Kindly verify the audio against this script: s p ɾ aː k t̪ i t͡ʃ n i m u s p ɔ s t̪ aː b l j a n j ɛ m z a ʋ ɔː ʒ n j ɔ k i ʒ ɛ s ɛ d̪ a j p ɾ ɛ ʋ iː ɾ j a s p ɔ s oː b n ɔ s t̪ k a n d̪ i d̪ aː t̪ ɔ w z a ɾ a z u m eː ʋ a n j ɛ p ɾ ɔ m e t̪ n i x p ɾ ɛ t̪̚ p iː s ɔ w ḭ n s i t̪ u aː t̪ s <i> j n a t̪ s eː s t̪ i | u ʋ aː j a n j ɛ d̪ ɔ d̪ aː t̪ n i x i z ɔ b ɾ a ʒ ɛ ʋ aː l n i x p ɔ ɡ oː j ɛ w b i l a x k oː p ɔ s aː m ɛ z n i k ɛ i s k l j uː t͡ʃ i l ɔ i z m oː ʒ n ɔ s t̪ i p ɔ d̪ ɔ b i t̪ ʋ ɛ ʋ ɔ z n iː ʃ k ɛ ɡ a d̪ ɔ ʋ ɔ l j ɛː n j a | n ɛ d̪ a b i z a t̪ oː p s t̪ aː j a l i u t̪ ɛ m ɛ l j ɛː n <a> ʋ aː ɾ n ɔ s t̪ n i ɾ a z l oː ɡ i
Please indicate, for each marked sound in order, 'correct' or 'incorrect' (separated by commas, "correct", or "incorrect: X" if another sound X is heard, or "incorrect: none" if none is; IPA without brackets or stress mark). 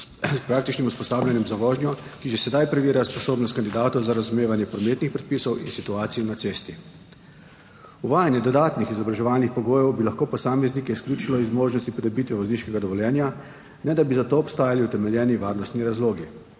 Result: correct, incorrect: i